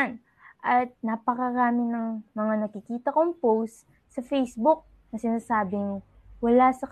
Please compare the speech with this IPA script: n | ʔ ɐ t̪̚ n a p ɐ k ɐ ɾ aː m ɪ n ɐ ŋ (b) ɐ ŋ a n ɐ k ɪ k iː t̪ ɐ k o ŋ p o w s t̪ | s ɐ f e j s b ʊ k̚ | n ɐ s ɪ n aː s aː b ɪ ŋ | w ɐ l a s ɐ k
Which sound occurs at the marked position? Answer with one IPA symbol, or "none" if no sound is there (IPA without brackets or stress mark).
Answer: m